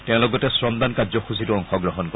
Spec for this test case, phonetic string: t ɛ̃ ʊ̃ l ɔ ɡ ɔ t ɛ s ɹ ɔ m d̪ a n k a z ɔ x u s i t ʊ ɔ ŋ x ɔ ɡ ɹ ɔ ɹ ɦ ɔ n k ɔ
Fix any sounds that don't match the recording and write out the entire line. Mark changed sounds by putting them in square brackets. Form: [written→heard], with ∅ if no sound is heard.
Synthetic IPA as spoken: t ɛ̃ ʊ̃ l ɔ ɡ ɔ t ɛ s ɹ ɔ m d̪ a n k a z ɔ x u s i t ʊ ɔ ŋ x ɔ ɡ ɹ ɔ [ɹ→∅] ɦ ɔ n k ɔ